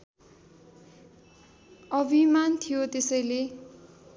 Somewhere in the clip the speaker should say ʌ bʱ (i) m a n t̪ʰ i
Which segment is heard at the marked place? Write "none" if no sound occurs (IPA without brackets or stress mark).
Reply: i